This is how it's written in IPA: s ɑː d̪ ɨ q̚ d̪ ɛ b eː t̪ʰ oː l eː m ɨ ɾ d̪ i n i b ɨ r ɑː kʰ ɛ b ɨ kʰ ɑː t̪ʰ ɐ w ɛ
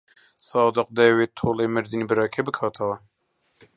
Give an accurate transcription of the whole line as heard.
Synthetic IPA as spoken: s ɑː d̪ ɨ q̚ d̪ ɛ w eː t̪ʰ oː l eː m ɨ ɾ d̪ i n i b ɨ ɾ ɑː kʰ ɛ b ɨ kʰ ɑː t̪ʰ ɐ w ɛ